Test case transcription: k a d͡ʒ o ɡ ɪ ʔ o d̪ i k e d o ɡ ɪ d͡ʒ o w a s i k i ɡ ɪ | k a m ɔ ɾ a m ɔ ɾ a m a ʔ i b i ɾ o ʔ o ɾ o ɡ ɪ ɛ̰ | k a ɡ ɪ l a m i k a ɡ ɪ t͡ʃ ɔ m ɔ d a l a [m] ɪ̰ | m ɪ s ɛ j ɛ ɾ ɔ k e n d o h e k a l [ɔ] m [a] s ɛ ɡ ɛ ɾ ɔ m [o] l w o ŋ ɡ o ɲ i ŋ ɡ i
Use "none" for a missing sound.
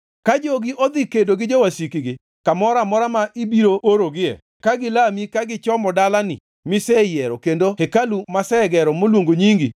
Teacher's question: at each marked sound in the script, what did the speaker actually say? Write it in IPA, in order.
n, u, a, o

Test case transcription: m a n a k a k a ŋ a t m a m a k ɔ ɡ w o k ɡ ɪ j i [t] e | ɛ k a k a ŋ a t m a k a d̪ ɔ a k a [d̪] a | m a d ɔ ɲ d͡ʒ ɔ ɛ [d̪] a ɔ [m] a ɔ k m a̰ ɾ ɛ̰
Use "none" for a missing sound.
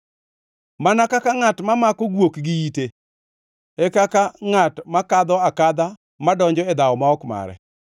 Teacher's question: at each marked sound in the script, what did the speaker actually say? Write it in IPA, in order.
t, d̪, d̪, m

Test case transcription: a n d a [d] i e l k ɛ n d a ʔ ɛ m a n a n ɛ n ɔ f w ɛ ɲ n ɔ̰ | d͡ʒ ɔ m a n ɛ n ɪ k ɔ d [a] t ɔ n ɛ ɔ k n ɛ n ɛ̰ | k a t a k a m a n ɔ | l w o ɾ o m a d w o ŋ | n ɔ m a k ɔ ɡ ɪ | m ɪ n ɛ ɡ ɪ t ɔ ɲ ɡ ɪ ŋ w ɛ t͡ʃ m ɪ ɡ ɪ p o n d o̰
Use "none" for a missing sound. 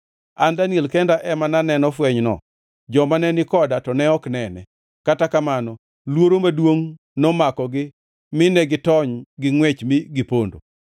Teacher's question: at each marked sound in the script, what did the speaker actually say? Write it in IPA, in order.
n, a

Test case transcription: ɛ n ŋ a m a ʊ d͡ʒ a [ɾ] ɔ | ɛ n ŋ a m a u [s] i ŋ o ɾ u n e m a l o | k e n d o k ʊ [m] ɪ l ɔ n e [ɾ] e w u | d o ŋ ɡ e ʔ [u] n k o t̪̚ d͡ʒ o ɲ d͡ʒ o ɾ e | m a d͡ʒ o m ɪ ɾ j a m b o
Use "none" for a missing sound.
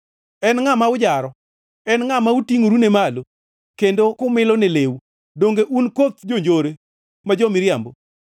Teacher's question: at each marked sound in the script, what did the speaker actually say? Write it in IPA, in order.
ɾ, t, m, l, u

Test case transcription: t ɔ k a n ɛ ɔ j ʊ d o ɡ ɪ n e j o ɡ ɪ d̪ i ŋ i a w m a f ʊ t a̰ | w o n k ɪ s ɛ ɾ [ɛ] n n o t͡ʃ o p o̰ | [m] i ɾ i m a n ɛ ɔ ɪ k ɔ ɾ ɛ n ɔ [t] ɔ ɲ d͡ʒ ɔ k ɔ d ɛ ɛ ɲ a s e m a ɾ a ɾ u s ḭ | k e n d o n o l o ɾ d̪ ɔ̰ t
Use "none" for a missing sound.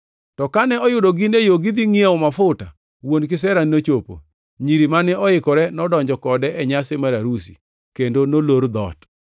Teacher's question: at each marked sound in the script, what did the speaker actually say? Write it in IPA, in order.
a, ɲ, d

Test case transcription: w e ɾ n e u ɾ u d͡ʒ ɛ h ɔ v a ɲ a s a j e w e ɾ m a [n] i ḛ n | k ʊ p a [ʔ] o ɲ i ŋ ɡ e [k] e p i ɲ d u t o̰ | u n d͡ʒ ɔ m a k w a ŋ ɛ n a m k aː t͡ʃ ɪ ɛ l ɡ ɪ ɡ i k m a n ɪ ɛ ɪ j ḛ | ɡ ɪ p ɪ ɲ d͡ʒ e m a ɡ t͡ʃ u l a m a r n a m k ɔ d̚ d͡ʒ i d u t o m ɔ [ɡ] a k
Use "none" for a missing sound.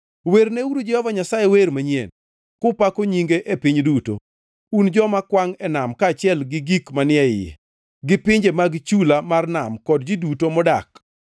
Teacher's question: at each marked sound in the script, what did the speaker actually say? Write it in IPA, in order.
ɲ, k, ʔ, d

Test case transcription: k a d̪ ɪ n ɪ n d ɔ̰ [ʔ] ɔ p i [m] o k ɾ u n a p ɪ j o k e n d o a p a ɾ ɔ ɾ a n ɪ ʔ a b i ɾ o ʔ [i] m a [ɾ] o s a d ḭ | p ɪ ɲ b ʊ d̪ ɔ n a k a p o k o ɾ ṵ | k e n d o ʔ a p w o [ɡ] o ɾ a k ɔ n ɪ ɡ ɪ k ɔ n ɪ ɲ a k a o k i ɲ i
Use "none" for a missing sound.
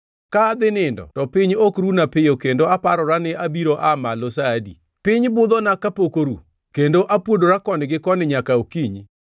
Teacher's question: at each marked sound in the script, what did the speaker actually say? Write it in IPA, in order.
t, ɲ, a, l, d

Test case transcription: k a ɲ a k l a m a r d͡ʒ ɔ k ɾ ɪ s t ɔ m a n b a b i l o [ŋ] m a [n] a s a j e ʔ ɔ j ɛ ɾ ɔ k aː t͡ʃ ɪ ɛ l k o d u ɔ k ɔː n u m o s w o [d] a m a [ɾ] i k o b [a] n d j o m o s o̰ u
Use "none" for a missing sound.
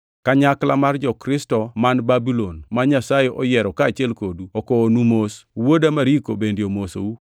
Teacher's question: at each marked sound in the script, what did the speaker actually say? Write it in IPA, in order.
n, ɲ, d, ɾ, e

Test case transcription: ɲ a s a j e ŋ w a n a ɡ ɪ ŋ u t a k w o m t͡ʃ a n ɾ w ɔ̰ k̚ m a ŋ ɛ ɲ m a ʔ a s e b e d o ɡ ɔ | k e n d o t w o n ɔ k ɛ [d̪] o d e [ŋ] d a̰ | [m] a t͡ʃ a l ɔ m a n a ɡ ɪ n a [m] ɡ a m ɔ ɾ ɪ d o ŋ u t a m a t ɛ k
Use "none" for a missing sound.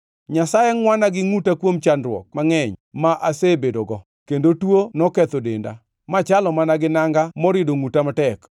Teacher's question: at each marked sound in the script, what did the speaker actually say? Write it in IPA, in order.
t̪, n, m, ŋ

